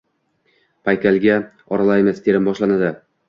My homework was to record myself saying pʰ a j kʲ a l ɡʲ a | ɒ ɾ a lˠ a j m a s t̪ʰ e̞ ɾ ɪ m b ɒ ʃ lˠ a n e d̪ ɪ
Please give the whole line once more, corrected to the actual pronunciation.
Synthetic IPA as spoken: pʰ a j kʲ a l ɡʲ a | ɒ ɾ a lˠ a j m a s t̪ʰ e̞ ɾ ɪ m b ɒ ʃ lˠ a n a d̪ ɪ